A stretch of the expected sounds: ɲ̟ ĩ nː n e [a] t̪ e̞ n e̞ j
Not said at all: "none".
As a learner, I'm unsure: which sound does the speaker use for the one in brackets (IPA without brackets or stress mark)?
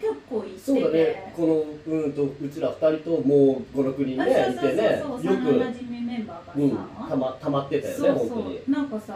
i